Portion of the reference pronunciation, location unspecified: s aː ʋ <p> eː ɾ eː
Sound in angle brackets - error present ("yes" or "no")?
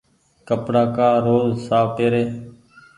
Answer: no